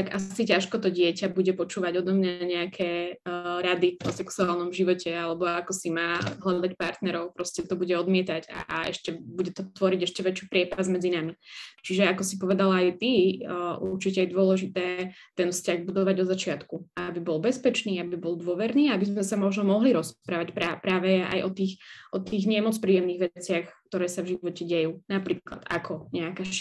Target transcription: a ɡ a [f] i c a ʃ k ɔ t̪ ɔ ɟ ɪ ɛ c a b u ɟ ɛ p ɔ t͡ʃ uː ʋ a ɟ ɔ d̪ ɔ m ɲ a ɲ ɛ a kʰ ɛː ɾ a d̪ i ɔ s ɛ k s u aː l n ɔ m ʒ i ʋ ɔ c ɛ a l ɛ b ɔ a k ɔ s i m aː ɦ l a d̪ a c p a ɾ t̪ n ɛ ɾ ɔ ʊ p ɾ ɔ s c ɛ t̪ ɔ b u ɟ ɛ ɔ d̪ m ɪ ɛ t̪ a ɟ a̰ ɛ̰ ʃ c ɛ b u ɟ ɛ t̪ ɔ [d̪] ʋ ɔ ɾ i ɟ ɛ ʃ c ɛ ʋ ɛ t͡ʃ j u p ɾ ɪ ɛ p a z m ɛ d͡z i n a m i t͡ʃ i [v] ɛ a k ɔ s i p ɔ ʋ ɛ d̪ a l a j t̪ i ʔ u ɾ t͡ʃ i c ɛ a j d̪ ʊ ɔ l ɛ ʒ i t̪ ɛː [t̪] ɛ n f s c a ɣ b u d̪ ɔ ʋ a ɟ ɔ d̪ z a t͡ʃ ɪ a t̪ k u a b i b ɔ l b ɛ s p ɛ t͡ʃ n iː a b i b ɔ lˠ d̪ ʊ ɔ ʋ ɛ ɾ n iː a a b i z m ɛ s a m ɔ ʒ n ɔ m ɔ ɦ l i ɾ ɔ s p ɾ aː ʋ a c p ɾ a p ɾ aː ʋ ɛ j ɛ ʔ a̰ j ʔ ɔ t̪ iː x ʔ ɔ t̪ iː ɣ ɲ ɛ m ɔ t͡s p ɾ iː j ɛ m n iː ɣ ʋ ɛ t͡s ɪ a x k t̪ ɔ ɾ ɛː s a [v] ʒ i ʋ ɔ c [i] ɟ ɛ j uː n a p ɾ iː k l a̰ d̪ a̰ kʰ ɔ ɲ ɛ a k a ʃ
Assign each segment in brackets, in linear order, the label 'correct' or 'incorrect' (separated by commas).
incorrect, incorrect, incorrect, correct, correct, incorrect